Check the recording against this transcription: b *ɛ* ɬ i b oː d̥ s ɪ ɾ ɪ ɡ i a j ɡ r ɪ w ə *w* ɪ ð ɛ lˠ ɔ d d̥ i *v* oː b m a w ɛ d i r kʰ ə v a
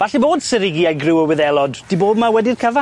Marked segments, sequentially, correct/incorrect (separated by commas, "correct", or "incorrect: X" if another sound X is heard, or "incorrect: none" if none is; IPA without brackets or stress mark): incorrect: a, correct, incorrect: b